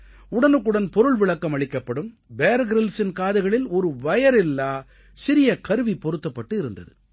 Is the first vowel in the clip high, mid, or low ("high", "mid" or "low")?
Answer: high